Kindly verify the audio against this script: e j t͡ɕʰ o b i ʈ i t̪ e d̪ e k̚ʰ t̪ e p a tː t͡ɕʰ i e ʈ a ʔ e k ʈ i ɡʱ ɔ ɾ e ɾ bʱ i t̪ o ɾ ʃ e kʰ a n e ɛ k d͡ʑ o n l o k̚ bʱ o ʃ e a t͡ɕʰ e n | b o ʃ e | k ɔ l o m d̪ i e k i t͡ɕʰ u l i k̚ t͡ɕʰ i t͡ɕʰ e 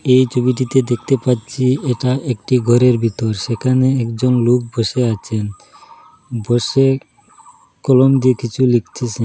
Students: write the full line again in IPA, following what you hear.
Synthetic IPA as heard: e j t͡ɕʰ o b i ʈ i t̪ e d̪ e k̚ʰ t̪ e p a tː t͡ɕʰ i e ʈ a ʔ e k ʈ i ɡʱ ɔ ɾ e ɾ bʱ i t̪ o ɾ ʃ e kʰ a n e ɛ k d͡ʑ o n l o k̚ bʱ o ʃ e a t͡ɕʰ e n | b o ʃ e | k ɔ l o m d̪ i e k i t͡ɕʰ u l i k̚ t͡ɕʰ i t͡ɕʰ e

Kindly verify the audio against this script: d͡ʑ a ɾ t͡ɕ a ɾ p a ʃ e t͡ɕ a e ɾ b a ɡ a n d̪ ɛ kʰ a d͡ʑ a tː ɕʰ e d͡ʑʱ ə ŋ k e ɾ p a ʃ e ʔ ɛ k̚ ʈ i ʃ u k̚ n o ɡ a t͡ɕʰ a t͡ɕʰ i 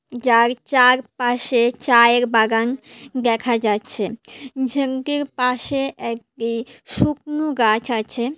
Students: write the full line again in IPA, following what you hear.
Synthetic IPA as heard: d͡ʑ a ɾ t͡ɕ a ɾ p a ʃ e t͡ɕ a e ɾ b a ɡ a n d̪ ɛ kʰ a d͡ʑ a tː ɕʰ e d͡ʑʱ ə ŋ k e ɾ p a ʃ e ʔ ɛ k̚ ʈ i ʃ u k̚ n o ɡ a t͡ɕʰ a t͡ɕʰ e

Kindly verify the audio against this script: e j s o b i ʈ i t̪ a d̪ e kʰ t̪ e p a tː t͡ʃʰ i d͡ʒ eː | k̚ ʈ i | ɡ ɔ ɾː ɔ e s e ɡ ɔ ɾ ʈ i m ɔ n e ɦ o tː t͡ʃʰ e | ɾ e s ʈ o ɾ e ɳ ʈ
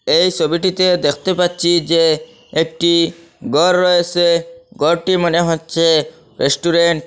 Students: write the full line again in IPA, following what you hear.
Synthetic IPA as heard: e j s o b i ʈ i t̪ e d̪ e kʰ t̪ e p a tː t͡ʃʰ i d͡ʒ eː | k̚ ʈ i | ɡ ɔ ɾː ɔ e s e ɡ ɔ ɾ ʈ i m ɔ n e ɦ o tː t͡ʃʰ e | ɾ e s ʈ u ɾ e ɳ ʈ

